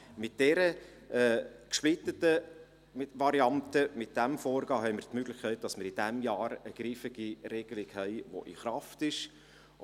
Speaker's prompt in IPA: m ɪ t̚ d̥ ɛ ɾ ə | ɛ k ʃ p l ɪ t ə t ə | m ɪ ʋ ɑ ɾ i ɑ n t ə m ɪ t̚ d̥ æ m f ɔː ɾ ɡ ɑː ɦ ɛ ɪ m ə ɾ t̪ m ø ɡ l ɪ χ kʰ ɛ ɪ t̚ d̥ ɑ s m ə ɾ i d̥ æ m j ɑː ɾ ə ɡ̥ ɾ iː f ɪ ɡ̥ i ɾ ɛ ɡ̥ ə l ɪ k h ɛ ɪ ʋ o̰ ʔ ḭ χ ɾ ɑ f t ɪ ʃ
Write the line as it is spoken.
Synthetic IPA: m ɪ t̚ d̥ ɛ ɾ ə | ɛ k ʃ p l ɪ t ə t ə | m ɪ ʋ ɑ ɾ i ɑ n t ə m ɪ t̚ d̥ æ m f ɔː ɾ ɡ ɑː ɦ ɛ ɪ m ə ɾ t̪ m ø ɡ l ɪ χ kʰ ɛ ɪ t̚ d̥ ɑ s m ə ɾ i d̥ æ m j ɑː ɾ ə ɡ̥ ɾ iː f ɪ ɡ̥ i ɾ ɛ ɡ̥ ə l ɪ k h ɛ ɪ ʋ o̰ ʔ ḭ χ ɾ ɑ f t ɪ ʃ